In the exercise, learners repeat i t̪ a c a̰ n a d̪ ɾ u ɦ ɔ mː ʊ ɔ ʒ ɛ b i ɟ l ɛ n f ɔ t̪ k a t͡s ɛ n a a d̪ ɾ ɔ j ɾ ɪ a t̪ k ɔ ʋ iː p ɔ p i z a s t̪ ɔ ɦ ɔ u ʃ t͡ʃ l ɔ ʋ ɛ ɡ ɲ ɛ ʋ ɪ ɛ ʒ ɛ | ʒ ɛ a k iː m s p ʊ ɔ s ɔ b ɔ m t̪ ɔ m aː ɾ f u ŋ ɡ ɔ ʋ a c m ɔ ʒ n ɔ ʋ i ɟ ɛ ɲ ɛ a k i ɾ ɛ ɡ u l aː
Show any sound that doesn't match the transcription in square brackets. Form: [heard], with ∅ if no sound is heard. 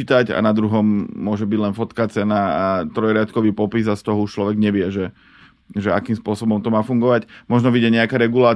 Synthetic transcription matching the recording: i t̪ a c a̰ n a d̪ ɾ u ɦ ɔ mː ʊ ɔ ʒ ɛ b i ɟ l ɛ n f ɔ t̪ k a t͡s ɛ n a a [t̪] ɾ ɔ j ɾ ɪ a t̪ k ɔ ʋ iː p ɔ p i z a s t̪ ɔ ɦ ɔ u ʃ t͡ʃ l ɔ ʋ ɛ ɡ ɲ ɛ ʋ ɪ ɛ ʒ ɛ | ʒ ɛ a k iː m s p ʊ ɔ s ɔ b ɔ m t̪ ɔ m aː [∅] f u ŋ ɡ ɔ ʋ a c m ɔ ʒ n ɔ ʋ i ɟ ɛ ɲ ɛ a k [a] ɾ ɛ ɡ u l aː